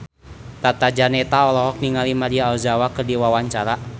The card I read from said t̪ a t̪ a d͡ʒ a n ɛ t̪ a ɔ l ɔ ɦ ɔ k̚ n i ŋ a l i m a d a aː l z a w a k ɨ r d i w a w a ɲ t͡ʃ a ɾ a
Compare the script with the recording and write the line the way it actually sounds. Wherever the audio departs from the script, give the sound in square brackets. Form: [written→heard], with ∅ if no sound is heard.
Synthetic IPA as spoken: t̪ a t̪ a d͡ʒ a n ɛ t̪ a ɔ l ɔ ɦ ɔ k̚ n i ŋ a l i m a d [a→i] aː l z a w a k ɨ r d i w a w a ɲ t͡ʃ a ɾ a